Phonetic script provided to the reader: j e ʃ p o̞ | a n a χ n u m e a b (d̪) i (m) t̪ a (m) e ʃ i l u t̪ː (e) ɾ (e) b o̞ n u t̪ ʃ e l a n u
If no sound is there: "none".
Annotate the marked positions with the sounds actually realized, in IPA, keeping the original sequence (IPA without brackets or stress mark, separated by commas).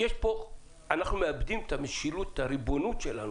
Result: d̪, m, m, a, i